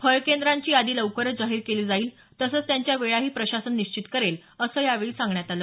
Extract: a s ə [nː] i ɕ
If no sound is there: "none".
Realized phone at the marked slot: nː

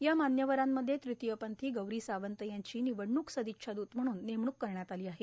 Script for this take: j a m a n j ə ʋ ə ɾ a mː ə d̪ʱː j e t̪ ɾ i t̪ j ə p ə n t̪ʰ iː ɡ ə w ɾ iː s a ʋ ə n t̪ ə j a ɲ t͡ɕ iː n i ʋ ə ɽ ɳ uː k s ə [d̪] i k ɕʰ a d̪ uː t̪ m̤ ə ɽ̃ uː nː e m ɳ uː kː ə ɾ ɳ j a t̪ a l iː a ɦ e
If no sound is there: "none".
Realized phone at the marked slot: d̪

